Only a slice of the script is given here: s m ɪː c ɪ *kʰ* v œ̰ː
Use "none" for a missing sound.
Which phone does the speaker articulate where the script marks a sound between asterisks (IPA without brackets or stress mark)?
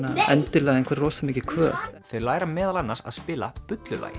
kʰ